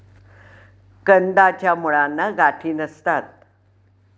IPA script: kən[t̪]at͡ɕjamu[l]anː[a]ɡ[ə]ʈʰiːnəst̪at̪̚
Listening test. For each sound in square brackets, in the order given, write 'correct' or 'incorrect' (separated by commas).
incorrect, incorrect, correct, incorrect